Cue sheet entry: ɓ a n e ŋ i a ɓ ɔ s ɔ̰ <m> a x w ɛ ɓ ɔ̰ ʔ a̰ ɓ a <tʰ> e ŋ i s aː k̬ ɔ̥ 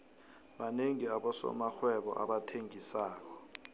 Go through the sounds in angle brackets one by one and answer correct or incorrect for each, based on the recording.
correct, correct

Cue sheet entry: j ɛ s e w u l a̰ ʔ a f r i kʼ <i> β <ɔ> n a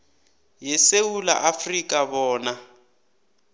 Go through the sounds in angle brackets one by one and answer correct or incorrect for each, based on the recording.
incorrect: a, incorrect: ɔː

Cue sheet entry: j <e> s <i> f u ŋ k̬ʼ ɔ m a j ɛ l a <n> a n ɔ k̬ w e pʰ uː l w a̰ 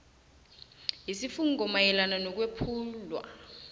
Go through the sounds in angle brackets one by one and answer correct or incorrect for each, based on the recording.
incorrect: i, correct, correct

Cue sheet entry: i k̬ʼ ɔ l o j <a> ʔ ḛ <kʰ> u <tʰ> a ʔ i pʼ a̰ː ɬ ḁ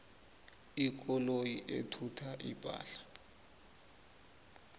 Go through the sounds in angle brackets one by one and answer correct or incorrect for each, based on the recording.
incorrect: i, incorrect: tʰ, correct

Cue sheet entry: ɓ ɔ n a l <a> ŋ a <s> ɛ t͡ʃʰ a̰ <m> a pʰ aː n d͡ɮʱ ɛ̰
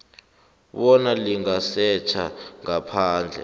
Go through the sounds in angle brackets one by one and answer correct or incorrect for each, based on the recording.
incorrect: i, correct, incorrect: ŋ

